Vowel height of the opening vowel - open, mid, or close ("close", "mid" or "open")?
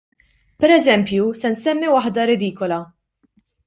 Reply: mid